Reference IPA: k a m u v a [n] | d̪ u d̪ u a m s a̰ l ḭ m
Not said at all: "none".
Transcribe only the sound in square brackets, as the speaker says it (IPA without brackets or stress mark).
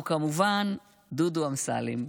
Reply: n